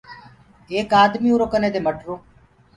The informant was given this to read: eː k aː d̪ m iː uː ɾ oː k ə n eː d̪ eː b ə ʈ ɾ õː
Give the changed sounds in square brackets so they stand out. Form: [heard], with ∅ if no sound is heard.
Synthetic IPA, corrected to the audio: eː k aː d̪ m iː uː ɾ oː k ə n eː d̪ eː [m] ə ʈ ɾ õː